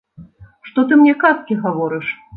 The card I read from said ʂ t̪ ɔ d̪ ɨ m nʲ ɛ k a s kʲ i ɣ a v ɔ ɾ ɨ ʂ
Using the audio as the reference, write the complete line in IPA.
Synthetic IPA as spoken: ʂ t̪ ɔ t̪ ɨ m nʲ ɛ k a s kʲ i ɣ a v ɔ ɾ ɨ ʂ